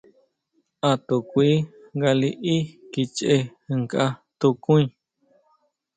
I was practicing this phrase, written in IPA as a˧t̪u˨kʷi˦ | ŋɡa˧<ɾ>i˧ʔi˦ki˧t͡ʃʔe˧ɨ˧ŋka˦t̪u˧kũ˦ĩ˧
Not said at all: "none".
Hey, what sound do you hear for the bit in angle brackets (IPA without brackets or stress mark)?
l